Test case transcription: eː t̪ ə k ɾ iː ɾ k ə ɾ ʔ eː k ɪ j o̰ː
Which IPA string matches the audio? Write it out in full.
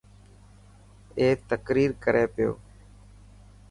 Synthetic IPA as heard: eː t̪ ə k ɾ iː ɾ k ə ɾ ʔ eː p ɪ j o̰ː